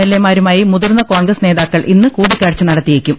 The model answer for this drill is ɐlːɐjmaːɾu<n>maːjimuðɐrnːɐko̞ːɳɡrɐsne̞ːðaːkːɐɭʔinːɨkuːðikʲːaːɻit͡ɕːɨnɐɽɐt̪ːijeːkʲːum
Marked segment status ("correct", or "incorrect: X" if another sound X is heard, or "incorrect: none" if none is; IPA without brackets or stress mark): incorrect: none